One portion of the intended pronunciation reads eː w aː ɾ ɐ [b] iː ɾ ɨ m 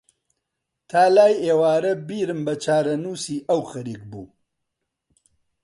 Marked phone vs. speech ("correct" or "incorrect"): correct